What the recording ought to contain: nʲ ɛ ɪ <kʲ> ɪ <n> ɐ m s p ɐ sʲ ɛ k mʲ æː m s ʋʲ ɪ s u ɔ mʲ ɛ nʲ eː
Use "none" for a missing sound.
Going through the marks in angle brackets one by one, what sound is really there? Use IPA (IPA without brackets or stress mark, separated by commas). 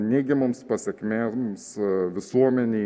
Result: ɡʲ, m